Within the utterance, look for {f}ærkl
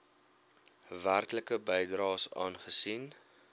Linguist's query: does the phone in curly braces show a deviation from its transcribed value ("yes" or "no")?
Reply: yes